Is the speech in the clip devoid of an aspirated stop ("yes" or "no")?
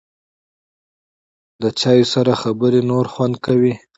yes